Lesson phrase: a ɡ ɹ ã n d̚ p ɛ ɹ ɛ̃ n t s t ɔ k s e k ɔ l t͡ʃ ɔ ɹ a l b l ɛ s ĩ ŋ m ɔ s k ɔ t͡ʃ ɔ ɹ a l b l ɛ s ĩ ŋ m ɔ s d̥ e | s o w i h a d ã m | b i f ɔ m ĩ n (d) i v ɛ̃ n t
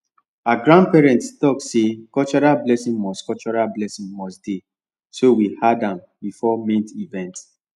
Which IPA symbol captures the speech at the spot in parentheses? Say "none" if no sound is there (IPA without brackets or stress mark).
t